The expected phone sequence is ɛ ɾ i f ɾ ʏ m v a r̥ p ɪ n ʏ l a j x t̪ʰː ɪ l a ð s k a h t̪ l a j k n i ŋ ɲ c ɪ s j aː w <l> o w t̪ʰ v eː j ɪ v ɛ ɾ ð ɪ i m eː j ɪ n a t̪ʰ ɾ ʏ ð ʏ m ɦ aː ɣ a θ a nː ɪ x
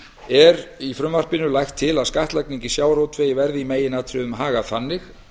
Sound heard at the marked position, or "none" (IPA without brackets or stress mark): ɾ